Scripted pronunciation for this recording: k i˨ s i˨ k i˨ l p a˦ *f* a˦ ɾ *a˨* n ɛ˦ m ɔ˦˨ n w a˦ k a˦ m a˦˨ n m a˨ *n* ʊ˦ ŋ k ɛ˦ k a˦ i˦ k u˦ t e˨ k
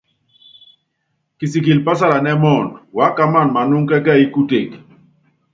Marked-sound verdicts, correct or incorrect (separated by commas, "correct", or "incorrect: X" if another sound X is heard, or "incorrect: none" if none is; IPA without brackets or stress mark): incorrect: s, correct, correct